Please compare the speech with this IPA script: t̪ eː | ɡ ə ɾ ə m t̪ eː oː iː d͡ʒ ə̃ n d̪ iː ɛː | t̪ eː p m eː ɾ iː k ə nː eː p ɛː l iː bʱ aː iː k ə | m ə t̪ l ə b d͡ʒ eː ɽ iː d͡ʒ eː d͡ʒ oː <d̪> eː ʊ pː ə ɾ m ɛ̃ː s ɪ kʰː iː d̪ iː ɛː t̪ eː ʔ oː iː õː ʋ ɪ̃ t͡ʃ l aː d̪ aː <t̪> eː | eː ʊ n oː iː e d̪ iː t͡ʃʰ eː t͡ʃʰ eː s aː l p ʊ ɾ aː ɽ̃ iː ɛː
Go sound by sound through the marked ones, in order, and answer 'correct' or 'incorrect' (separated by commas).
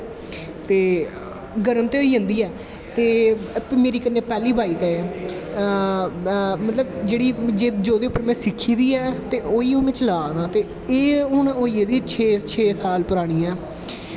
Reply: correct, correct